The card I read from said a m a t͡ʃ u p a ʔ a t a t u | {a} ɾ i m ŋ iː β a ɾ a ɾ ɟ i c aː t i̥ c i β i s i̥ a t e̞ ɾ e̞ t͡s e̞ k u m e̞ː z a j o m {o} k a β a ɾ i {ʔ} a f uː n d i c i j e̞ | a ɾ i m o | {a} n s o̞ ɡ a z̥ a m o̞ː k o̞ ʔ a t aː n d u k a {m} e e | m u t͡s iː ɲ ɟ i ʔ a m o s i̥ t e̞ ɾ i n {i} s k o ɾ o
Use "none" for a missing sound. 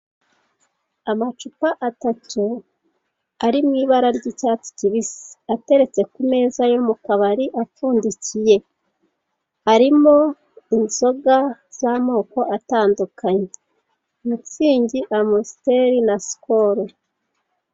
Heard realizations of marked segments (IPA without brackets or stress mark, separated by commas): a, u, ʔ, i, ɲ, a